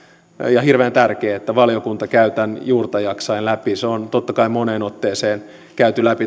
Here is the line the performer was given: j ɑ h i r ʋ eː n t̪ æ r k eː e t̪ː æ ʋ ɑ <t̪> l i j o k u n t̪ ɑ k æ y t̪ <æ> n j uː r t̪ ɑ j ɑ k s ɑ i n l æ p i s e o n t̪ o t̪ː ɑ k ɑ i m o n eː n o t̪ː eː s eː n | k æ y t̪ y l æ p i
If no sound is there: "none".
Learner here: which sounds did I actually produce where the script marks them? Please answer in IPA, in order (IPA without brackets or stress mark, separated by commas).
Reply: none, æ